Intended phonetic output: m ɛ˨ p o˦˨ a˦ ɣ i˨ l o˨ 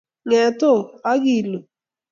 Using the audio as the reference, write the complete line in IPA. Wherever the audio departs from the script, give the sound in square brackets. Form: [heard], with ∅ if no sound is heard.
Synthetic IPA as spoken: [ŋ] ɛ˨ [t] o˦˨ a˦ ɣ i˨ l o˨